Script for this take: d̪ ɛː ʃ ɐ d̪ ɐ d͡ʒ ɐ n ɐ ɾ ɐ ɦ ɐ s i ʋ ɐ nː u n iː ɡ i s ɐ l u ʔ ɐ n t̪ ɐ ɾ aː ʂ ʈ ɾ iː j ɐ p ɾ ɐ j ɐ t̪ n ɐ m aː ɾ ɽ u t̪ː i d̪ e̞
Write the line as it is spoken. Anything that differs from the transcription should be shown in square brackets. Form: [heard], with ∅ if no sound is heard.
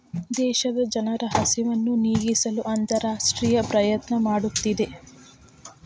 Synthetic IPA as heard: d̪ ɛː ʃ ɐ d̪ ɐ d͡ʒ ɐ n ɐ ɾ ɐ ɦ ɐ s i ʋ ɐ nː u n iː ɡ i s ɐ l u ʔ ɐ n t̪ ɐ ɾ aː ʂ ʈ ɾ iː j ɐ p ɾ ɐ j ɐ t̪ n ɐ m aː [∅] ɽ u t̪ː i d̪ e̞